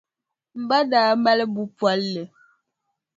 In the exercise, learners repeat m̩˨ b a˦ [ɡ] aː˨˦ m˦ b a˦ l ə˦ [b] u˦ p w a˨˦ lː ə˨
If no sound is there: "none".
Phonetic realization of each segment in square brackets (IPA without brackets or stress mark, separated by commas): d, b